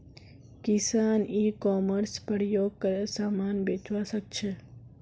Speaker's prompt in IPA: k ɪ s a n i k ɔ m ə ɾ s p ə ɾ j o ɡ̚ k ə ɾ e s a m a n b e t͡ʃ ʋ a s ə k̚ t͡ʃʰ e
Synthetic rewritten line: k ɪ s a n i k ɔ m ə ɾ s p ə ɾ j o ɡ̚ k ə ɾ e s a m a n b e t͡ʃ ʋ a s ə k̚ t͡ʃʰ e